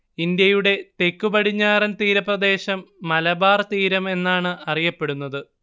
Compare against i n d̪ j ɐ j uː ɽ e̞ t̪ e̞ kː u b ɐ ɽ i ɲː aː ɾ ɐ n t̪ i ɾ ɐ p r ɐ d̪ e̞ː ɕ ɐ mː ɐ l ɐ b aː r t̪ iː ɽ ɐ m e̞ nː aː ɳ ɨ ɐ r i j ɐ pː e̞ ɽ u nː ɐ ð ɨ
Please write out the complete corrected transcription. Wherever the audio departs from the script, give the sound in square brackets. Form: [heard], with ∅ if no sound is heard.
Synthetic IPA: i n d̪ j ɐ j [u] ɽ e̞ t̪ e̞ kː u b ɐ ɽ i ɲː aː ɾ ɐ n t̪ [iː] ɾ ɐ p r ɐ d̪ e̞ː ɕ ɐ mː ɐ l ɐ b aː r t̪ iː [ɾ] ɐ m e̞ nː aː ɳ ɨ ɐ r i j ɐ pː e̞ ɽ u nː ɐ ð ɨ